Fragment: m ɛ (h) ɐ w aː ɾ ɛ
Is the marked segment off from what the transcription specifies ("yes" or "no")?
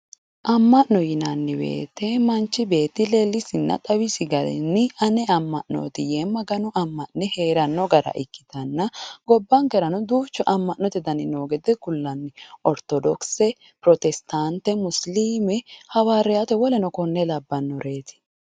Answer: no